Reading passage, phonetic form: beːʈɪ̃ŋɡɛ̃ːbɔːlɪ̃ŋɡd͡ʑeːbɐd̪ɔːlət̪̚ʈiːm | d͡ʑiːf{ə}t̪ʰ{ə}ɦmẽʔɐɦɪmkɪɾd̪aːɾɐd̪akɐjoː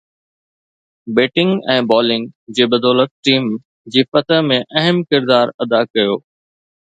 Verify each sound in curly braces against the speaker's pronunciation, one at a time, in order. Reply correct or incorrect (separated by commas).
incorrect, correct